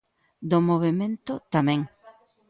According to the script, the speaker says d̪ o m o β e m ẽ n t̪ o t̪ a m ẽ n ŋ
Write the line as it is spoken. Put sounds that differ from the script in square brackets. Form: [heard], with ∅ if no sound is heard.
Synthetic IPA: d̪ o m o β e m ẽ n t̪ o t̪ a m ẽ [∅] ŋ

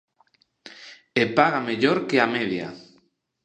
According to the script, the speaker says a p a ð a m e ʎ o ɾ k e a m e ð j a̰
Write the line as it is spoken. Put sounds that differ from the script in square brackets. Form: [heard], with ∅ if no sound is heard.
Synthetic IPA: [e] p a [ɣ] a m e ʎ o ɾ k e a m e ð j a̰

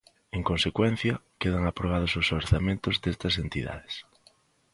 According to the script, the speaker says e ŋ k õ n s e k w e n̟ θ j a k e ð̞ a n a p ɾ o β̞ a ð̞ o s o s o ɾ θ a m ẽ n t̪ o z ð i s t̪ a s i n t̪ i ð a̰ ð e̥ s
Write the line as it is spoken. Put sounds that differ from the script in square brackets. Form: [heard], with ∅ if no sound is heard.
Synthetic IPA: e ŋ k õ n s e k w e n̟ θ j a k e ð̞ a [ŋ] a p ɾ o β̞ a ð̞ o s o s o ɾ θ a m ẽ n t̪ o z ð [e] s t̪ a s [e] n t̪ i ð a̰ ð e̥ s

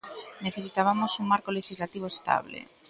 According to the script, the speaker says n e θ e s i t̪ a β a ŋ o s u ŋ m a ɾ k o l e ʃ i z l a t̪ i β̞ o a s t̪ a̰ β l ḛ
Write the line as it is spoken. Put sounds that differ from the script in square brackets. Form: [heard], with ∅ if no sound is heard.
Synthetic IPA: n e θ e s i t̪ a β a [m] o s u ŋ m a ɾ k o l e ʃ i z l a t̪ i β̞ o [e] s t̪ a̰ β l ḛ

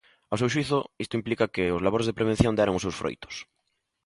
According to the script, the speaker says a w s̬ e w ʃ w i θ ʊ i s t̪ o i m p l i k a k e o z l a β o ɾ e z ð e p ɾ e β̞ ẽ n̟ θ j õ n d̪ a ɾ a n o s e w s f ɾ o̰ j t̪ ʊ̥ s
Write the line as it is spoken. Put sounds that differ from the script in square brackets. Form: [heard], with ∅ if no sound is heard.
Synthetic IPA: a w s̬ e w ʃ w i θ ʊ i s t̪ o i m p l i k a k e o z l a β o ɾ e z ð e p ɾ e β̞ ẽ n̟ θ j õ n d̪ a ɾ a [ŋ] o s e w s f ɾ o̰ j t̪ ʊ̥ s

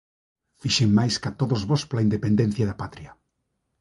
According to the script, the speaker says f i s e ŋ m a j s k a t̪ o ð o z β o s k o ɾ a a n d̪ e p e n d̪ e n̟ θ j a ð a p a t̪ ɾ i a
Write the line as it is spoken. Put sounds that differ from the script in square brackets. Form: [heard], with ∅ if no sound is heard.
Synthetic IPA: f i [ʃ] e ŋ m a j s k a t̪ o ð o z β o s [p] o [l] a [i] n d̪ e p e n d̪ e n̟ θ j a ð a p a t̪ ɾ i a

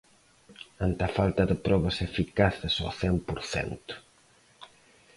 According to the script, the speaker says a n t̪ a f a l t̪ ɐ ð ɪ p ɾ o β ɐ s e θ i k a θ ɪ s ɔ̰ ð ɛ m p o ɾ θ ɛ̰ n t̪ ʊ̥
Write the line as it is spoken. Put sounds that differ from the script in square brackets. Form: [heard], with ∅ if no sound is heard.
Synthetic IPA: a n t̪ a f a l t̪ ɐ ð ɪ p ɾ [ɔ] β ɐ s e [f] i k a θ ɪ s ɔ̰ [θ] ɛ m p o ɾ θ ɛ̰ n t̪ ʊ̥

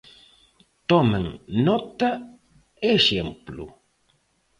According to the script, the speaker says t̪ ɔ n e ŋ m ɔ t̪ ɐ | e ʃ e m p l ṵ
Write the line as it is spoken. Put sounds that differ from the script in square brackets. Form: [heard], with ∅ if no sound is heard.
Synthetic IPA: t̪ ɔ [m] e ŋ [n] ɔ t̪ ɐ | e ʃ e m p l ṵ

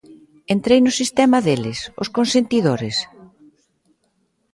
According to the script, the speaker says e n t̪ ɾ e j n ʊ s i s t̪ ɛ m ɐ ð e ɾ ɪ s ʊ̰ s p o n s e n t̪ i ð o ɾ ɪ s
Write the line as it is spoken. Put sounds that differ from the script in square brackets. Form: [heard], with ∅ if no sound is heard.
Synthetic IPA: e n t̪ ɾ e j n ʊ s i s t̪ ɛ m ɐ ð e [l] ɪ s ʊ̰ s [k] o n s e n t̪ i ð o ɾ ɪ s

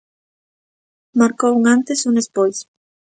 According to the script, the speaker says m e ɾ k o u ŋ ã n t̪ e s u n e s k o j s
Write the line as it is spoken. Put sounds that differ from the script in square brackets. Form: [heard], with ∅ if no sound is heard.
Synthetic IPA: m [a] ɾ k o u ŋ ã n t̪ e s u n e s [p] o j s

